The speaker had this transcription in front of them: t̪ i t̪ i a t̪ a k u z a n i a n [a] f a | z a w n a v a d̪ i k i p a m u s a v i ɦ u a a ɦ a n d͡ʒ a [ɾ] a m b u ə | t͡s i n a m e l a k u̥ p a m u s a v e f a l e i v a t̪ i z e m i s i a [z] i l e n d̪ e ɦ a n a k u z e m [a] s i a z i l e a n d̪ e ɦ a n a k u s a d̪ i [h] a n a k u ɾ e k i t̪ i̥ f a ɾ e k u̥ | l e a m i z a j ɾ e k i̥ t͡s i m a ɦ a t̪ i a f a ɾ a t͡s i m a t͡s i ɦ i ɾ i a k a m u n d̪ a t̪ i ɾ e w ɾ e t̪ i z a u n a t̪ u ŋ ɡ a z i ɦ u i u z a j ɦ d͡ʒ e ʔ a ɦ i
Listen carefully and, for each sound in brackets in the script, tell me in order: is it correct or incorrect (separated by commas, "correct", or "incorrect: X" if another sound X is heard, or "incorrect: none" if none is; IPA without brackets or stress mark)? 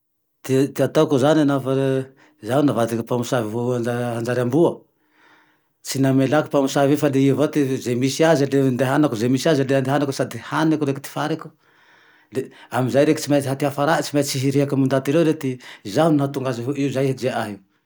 correct, correct, correct, incorrect: i, correct